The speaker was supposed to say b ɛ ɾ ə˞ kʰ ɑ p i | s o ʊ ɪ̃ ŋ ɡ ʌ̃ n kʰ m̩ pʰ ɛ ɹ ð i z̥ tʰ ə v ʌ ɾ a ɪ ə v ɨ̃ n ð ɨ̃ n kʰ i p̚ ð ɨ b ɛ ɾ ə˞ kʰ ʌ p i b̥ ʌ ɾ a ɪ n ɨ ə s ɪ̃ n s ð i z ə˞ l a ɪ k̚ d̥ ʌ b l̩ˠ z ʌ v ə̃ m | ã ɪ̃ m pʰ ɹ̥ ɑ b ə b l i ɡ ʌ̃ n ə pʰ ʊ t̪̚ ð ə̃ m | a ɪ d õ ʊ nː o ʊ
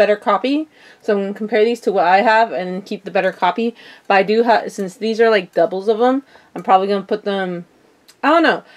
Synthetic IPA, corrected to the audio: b ɛ ɾ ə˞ kʰ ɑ p i | s o ʊ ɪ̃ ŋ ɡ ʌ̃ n kʰ m̩ pʰ ɛ ɹ ð i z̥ tʰ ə w ʌ ɾ a ɪ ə v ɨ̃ n ð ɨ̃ n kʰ i p̚ ð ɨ b ɛ ɾ ə˞ kʰ ɑ p i b̥ ʌ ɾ a ɪ d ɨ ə s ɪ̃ n s ð i z ə˞ l a ɪ k̚ d̥ ʌ b l̩ˠ z ʌ v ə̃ m | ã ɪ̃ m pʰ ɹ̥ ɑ b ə b l i ɡ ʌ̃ n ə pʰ ʊ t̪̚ ð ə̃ m | a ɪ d õ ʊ nː o ʊ